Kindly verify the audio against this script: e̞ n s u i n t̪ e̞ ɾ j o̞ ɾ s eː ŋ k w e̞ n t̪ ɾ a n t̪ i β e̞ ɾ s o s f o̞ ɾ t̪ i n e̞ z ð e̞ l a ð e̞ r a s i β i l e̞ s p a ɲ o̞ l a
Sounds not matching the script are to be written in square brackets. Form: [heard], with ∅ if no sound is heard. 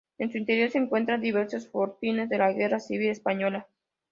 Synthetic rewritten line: e̞ n s u i n t̪ e̞ ɾ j o̞ ɾ s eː ŋ k w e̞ n t̪ ɾ a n [d̪] i β e̞ ɾ s o s f o̞ ɾ t̪ i n e̞ z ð e̞ l a [ɣ] e̞ r a s i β i l e̞ s p a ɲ o̞ l a